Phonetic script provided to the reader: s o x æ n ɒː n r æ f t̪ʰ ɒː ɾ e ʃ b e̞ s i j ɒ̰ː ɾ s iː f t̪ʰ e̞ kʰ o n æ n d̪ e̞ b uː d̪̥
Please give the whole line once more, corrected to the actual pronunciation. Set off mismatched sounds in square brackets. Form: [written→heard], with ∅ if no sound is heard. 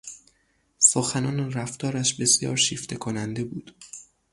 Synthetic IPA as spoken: s o x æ n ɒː n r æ f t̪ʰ ɒː ɾ [e→æ] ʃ b e̞ s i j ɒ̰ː ɾ [s→ʃ] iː f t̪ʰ e̞ kʰ o n æ n d̪ e̞ b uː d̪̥